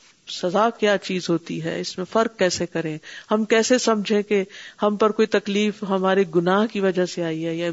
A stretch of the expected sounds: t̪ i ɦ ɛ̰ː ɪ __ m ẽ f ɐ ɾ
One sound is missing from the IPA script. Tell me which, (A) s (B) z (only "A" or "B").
A